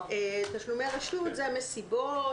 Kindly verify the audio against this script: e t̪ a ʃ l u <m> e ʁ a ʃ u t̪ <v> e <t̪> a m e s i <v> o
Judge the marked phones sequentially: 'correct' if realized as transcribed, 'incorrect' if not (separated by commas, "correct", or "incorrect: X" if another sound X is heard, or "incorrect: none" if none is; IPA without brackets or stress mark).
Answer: correct, incorrect: z, incorrect: none, incorrect: b